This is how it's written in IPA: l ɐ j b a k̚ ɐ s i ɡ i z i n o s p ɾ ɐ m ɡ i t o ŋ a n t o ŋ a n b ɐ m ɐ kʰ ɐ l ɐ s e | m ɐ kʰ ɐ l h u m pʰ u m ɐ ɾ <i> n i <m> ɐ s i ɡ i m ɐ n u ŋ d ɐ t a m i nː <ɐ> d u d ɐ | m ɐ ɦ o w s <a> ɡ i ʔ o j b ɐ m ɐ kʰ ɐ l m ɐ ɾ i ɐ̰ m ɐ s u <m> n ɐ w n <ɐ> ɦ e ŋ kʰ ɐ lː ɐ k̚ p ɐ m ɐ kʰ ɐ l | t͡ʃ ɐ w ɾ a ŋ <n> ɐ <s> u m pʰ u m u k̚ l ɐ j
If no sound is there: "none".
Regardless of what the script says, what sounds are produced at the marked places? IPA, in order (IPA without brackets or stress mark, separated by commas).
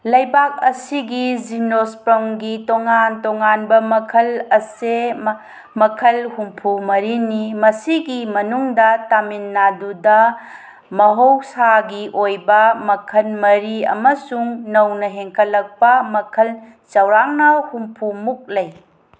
i, m, a, a, ŋ, ɐ, n, h